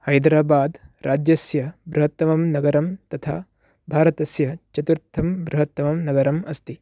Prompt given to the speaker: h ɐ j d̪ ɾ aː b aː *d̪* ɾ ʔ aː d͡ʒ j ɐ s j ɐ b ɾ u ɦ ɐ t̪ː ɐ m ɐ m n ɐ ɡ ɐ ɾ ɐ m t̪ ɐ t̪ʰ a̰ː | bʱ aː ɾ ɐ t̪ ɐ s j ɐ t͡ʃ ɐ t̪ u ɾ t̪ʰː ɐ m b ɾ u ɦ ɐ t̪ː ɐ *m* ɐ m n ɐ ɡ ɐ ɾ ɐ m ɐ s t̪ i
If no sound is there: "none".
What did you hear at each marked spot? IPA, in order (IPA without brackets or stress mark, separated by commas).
d̪, m